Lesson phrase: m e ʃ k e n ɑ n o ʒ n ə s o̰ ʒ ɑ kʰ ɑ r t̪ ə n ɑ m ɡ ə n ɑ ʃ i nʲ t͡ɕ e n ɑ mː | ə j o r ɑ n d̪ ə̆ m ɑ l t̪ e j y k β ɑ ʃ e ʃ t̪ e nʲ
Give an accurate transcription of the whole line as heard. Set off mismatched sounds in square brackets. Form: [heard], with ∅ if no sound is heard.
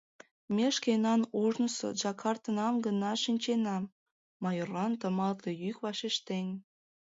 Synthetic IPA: m e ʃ k e n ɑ n o ʒ n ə s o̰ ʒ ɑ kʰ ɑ r t̪ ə n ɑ m ɡ ə n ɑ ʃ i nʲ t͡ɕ e n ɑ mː | [ɑ] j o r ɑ n [t̪] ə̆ m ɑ l t̪ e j y k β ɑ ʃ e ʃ t̪ e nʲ